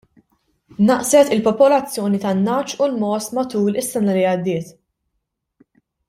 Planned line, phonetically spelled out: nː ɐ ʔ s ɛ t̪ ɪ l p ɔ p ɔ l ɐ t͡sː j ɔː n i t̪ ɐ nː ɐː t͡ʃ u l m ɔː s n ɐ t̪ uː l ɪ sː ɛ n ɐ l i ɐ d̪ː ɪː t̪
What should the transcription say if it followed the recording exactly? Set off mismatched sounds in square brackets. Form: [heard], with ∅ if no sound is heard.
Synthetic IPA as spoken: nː ɐ ʔ s ɛ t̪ ɪ l p ɔ p ɔ l ɐ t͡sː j ɔː n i t̪ ɐ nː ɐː t͡ʃ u l m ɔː s [m] ɐ t̪ uː l ɪ sː ɛ n ɐ l i ɐ d̪ː ɪː t̪

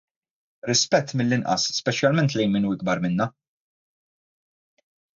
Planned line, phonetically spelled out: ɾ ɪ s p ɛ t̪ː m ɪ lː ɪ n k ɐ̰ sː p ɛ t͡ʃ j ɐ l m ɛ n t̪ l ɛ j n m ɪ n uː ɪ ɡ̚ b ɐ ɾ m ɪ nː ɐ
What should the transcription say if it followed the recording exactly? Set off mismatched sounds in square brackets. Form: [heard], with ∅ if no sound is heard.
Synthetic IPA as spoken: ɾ ɪ s p ɛ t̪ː m ɪ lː ɪ n [ʔ] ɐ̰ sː p ɛ t͡ʃ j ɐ l m ɛ n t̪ l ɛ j n m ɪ n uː ɪ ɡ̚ b ɐ ɾ m ɪ nː ɐ

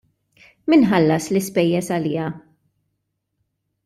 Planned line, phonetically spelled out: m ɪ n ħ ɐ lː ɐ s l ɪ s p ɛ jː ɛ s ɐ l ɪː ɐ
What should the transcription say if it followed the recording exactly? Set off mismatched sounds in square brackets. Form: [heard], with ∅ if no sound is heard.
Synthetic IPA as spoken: m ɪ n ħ ɐ lː ɐ s l ɪ s p ɛ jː ɛ s ɐ l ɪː ɐ

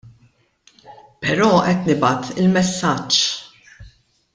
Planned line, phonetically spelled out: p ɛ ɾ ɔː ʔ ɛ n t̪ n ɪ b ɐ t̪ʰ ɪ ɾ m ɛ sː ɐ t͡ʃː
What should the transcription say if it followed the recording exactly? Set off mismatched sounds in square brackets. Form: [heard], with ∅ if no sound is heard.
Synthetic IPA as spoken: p ɛ ɾ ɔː ʔ ɛ [∅] t̪ n ɪ b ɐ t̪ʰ ɪ [l] m ɛ sː ɐ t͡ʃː

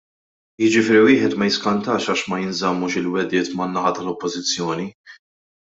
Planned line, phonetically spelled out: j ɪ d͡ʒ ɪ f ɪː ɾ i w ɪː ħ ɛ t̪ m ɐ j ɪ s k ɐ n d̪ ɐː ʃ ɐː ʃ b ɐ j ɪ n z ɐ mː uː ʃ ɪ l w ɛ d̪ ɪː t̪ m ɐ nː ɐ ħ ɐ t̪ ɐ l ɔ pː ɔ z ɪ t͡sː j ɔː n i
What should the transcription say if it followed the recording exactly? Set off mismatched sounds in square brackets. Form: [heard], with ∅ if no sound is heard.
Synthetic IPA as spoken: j ɪ d͡ʒ ɪ f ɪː ɾ i w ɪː ħ ɛ t̪ m ɐ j ɪ s k ɐ n [t̪] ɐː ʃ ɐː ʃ [m] ɐ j ɪ n z ɐ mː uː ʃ ɪ l w ɛ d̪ ɪː t̪ m ɐ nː ɐ ħ ɐ t̪ ɐ l ɔ pː ɔ z ɪ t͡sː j ɔː n i

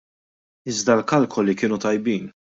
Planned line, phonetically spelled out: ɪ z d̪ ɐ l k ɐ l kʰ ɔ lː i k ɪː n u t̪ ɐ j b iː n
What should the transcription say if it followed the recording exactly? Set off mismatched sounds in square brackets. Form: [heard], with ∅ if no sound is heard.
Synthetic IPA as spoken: ɪ z d̪ ɐ l k ɐ l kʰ ɔ [l] i k ɪː n u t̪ ɐ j b iː n

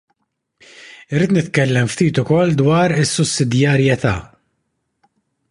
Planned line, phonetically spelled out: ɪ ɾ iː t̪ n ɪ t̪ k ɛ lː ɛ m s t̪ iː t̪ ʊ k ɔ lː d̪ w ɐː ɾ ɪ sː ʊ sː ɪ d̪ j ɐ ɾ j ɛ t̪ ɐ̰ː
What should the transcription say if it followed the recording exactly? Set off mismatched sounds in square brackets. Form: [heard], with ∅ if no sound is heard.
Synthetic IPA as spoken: ɪ ɾ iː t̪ n ɪ t̪ k ɛ lː ɛ m [f] t̪ iː t̪ ʊ k ɔ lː d̪ w ɐː ɾ ɪ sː ʊ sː ɪ d̪ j ɐ ɾ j ɛ t̪ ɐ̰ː

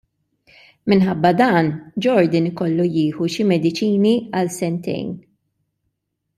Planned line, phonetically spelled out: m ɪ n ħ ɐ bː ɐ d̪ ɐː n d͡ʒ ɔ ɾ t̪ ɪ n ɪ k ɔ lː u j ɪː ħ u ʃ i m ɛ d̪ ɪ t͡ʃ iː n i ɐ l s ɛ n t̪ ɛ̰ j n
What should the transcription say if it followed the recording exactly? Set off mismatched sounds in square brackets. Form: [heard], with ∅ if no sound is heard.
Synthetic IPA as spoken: m ɪ n ħ ɐ bː ɐ d̪ ɐː n d͡ʒ ɔ ɾ [d̪] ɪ n ɪ k ɔ lː u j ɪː ħ u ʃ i m ɛ d̪ ɪ t͡ʃ iː n i ɐ l s ɛ n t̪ ɛ̰ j n

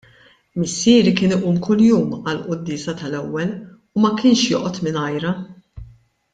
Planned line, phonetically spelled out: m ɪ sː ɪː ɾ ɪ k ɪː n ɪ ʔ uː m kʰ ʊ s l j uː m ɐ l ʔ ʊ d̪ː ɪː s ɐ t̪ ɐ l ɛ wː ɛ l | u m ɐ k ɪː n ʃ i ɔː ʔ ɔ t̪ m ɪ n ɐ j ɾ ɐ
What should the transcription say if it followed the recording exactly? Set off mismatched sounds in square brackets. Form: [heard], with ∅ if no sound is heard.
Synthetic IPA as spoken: m ɪ sː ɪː ɾ [i] k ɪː n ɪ ʔ uː m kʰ ʊ [∅] l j uː m ɐ l ʔ ʊ d̪ː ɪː s ɐ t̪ ɐ l ɛ wː ɛ l | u m ɐ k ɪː n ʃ [j] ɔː ʔ ɔ t̪ m ɪ n ɐ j ɾ ɐ

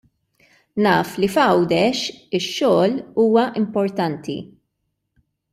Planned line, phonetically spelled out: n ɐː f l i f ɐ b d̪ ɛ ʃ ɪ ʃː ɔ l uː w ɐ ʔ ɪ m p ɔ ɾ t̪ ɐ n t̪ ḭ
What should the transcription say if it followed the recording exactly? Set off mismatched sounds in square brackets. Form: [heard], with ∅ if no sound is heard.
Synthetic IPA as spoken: n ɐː f l i f ɐ [w] d̪ ɛ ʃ ɪ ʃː [ɔː] l uː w ɐ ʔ ɪ m p ɔ ɾ t̪ ɐ n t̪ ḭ

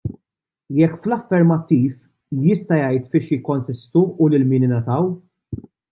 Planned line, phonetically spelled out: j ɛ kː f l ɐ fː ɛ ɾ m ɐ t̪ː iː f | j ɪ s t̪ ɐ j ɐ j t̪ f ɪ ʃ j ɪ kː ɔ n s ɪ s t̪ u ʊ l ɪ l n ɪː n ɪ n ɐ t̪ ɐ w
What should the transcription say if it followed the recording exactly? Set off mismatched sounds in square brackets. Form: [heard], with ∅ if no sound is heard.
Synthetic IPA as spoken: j ɛ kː f l ɐ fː ɛ ɾ m ɐ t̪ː iː f | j ɪ s t̪ ɐ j ɐ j t̪ f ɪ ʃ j ɪ kː ɔ n s ɪ s t̪ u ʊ l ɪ l [m] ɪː n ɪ n ɐ t̪ ɐ w

